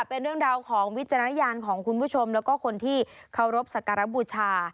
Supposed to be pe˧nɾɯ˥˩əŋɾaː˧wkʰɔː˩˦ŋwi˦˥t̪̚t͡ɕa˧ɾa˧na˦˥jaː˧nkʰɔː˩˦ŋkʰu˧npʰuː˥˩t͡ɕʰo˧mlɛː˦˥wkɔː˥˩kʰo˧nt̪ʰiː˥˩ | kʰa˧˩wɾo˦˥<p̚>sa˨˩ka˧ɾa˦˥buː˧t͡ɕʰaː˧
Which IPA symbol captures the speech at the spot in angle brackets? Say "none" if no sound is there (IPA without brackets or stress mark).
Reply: p̚